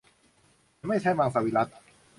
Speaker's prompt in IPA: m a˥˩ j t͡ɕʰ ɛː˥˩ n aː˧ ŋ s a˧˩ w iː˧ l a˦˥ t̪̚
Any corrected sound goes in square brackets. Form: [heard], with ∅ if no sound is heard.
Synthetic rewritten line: m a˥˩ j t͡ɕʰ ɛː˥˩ [m] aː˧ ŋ s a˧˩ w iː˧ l a˦˥ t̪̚